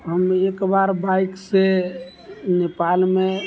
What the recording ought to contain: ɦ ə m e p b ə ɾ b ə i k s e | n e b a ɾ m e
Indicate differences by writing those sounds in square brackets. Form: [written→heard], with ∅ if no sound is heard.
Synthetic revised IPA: ɦ ə m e [p→k] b [ə→a] ɾ b [ə→a] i k s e | n e [b→p] a [ɾ→l] m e